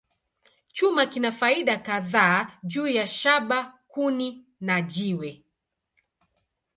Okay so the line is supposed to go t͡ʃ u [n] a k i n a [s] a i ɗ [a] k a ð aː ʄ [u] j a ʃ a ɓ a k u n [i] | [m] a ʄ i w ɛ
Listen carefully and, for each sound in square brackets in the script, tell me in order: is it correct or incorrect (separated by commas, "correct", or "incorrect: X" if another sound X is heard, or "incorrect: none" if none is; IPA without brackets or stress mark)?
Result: incorrect: m, incorrect: f, correct, incorrect: uː, correct, incorrect: n